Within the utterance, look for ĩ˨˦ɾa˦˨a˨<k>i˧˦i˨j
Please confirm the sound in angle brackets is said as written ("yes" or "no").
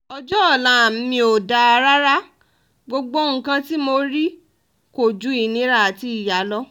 no